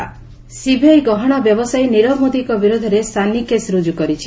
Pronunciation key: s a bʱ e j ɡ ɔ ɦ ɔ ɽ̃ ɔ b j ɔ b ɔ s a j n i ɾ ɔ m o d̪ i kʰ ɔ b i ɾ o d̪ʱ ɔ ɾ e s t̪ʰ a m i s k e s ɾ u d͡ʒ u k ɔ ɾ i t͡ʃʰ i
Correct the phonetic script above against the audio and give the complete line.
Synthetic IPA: s i bʱ e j ɡ ɔ ɦ ɔ ɽ̃ ɔ b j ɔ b ɔ s a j n i ɾ ɔ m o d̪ i k ɔ b i ɾ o d̪ʱ ɔ ɾ e s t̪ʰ a n i k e s ɾ u d͡ʒ u k ɔ ɾ i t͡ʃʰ i